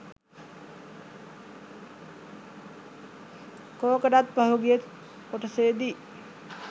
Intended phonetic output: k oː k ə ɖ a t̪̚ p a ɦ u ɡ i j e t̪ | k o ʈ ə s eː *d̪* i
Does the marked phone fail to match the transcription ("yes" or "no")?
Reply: no